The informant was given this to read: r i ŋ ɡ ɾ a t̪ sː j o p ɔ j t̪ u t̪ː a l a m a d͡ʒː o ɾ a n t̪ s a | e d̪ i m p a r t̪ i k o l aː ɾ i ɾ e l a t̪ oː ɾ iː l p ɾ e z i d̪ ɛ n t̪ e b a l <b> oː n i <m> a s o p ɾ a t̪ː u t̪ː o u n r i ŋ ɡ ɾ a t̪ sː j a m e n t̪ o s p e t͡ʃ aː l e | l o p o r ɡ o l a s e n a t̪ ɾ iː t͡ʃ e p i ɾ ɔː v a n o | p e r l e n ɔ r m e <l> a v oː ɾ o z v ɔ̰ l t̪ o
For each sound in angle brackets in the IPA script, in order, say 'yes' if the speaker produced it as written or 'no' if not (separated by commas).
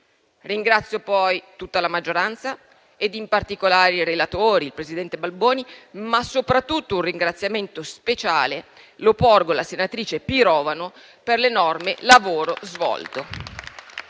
yes, yes, yes